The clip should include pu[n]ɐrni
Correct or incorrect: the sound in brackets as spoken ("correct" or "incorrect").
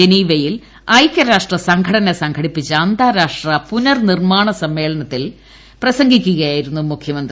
correct